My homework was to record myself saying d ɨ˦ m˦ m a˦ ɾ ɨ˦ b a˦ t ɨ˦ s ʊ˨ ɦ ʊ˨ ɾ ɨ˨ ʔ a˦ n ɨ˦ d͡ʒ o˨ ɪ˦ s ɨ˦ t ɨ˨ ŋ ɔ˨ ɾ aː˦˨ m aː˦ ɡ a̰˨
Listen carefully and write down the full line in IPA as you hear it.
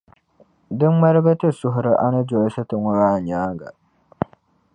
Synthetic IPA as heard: d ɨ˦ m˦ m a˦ ɾ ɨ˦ b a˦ t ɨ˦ s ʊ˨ ɦ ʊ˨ ɾ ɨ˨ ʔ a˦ n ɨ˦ d͡ʒ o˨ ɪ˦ s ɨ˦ t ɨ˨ ŋ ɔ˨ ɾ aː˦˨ ɲ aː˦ ɡ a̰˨